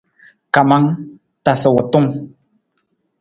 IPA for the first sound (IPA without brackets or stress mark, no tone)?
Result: k